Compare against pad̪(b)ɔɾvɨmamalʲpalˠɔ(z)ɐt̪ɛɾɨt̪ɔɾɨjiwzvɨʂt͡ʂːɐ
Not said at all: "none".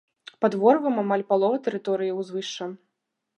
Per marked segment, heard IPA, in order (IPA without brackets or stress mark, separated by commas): v, v